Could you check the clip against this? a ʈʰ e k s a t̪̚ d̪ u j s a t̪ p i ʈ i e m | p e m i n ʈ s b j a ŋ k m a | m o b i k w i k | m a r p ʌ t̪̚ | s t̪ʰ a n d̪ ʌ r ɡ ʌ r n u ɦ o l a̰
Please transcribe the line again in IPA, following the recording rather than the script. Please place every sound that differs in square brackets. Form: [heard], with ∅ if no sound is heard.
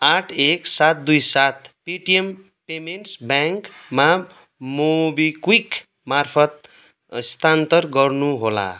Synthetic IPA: a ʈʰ e k s a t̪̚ d̪ u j s a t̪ p i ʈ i e m | p e m [e] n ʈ s b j a ŋ k m a | m o b i k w i k | m a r [pʰ] ʌ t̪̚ | s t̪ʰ a n [t̪] ʌ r ɡ ʌ r n u ɦ o l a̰